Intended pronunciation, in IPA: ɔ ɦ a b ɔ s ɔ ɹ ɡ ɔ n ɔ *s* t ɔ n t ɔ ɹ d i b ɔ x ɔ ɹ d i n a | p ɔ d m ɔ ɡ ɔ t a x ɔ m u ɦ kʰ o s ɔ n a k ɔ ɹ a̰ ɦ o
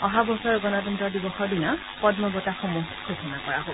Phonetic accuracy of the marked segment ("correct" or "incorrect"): incorrect